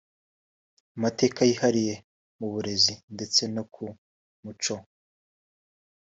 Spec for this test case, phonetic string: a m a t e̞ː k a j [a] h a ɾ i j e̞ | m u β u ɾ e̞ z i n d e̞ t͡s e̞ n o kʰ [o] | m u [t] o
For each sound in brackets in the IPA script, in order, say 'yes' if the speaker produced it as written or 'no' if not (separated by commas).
no, no, no